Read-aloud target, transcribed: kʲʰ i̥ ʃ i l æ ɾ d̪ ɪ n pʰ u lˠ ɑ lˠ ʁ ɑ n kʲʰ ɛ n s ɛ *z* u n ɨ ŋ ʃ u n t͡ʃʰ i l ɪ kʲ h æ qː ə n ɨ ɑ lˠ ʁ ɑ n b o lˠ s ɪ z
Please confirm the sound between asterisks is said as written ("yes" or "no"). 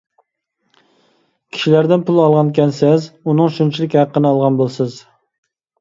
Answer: yes